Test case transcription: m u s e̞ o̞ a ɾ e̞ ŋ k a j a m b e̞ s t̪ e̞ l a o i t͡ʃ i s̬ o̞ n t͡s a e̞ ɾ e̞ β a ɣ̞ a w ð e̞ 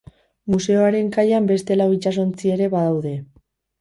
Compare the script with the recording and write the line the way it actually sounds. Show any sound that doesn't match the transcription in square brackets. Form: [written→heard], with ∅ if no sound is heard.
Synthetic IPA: m u s e̞ o̞ a ɾ e̞ ŋ k a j a m b e̞ s t̪ e̞ l a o i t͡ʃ [i→a] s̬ o̞ n t͡s [a→i] e̞ ɾ e̞ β a [ɣ̞→ð̞] a w ð e̞